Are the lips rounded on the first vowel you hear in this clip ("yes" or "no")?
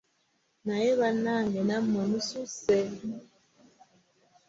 no